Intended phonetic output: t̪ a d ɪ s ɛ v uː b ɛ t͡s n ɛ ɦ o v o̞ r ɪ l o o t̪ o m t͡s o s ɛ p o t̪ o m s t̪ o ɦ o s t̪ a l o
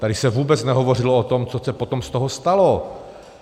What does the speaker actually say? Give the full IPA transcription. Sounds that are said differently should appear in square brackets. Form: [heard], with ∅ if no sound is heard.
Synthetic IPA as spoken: t̪ a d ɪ s ɛ v uː b ɛ t͡s n ɛ ɦ o v o̞ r ɪ l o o t̪ o m t͡s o s ɛ p o t̪ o m s t̪ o ɦ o s t̪ a l o